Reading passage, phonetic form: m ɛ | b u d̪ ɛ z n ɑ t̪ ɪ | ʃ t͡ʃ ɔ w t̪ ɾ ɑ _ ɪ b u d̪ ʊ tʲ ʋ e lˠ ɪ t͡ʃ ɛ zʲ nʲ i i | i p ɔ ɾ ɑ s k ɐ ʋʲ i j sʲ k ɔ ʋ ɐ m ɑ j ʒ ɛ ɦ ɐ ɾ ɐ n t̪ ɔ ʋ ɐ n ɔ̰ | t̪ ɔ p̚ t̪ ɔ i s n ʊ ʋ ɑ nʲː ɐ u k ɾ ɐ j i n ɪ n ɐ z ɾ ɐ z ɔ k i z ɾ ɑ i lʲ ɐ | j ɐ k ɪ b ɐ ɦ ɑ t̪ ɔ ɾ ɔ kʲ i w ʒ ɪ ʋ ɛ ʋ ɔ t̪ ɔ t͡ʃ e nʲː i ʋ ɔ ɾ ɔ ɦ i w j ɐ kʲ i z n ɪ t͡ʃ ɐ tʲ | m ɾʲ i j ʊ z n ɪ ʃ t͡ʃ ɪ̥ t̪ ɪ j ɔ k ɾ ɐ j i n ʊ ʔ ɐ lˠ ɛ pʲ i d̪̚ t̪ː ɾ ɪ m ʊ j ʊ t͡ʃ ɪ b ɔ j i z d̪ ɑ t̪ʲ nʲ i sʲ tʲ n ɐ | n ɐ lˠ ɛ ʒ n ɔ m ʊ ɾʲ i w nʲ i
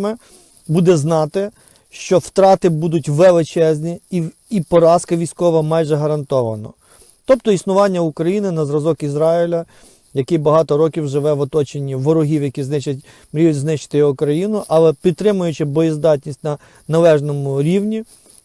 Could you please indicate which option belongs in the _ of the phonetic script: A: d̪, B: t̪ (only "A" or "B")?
B